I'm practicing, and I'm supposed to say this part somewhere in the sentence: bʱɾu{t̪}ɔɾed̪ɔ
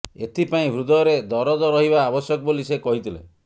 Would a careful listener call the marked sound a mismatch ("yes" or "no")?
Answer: yes